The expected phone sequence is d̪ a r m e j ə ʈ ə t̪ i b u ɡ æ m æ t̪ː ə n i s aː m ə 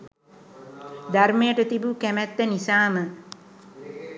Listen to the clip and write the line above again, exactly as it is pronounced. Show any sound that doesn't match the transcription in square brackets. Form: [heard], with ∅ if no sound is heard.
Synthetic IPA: d̪ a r m e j ə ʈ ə t̪ i b u [k] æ m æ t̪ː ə n i s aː m ə